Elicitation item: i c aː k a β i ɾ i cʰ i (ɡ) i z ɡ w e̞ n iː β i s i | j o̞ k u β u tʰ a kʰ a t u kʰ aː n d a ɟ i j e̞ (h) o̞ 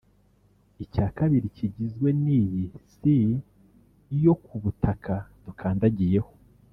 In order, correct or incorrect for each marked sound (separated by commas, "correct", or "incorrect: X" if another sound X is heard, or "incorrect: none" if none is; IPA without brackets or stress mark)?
incorrect: ɟ, correct